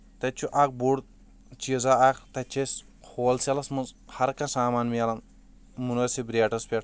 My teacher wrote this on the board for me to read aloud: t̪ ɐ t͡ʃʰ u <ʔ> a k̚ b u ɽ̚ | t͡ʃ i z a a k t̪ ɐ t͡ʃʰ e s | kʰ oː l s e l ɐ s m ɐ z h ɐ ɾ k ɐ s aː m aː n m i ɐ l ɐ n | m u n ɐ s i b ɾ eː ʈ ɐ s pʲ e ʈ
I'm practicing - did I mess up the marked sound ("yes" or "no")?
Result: no